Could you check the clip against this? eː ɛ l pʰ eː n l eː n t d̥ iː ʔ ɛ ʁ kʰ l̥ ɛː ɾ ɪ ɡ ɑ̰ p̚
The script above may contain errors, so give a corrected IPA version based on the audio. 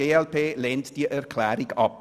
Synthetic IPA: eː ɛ l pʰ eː l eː n t d̥ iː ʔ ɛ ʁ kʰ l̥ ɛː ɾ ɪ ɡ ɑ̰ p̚